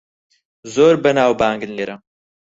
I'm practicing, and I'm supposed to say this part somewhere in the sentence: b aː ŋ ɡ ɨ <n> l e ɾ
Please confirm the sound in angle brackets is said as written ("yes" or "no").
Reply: yes